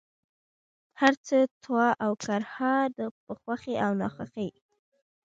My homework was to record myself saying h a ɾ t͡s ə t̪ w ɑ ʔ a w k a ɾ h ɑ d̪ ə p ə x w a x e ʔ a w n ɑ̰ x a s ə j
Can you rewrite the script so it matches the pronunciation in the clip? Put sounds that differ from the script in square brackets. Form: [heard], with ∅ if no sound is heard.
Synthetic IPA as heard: h a ɾ t͡s ə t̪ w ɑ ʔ a w k a ɾ h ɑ d̪ ə p ə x w a x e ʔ a w n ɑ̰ x a [x] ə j